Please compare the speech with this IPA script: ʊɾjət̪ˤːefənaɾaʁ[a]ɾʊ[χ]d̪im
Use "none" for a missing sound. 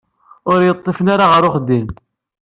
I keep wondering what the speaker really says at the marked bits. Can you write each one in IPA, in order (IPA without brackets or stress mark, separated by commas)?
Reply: ə, χ